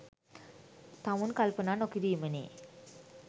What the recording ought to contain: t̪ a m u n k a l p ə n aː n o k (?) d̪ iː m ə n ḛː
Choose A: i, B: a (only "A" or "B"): A